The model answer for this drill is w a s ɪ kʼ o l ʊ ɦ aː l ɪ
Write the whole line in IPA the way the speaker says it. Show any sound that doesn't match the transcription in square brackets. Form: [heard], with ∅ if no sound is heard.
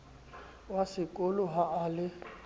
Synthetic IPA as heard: w a s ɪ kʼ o l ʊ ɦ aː l ɪ

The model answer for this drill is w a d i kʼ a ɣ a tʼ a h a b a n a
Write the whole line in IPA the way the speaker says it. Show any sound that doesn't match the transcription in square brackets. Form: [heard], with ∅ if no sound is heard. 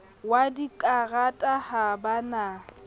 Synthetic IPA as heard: w a d i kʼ a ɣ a tʼ a h a b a n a

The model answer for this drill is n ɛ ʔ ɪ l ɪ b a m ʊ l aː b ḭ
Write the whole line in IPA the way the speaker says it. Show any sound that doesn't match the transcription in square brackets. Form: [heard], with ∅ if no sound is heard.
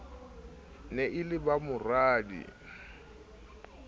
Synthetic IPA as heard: n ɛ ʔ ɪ l ɪ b a m ʊ [r] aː [d] ḭ

